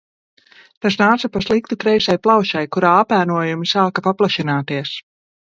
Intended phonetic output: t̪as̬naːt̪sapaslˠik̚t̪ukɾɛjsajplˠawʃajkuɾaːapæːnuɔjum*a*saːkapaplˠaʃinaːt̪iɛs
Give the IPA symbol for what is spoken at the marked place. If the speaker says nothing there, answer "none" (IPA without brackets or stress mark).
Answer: i